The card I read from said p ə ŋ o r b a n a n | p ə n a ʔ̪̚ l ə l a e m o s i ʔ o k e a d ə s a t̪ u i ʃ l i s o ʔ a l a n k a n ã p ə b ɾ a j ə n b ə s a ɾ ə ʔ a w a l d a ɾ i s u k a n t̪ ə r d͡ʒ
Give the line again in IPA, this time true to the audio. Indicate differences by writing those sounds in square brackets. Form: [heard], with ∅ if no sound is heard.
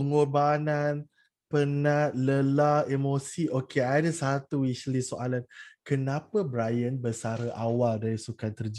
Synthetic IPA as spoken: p ə ŋ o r b a n a n | p ə n a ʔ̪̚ l ə l a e m o s i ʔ o k e a d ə s a t̪ u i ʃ l i s o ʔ a l a n k [ə] n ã p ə b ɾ a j ə n b ə s a ɾ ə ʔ a w a l d a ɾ i s u k a n t̪ ə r d͡ʒ